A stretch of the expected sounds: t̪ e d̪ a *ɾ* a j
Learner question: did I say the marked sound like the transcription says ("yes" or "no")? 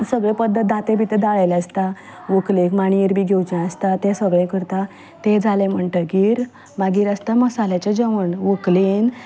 no